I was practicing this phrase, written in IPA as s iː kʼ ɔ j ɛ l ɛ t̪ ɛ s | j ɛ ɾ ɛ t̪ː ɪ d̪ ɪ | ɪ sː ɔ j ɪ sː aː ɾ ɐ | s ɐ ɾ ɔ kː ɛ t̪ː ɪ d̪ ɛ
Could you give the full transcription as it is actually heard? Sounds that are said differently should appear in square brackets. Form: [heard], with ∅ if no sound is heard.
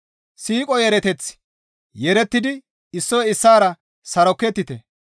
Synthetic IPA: s iː kʼ ɔ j ɛ [ɾ] ɛ t̪ ɛ [t͡s] | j ɛ ɾ ɛ t̪ː ɪ d̪ ɪ | ɪ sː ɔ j ɪ sː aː ɾ ɐ | s ɐ ɾ ɔ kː ɛ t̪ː ɪ [t̪] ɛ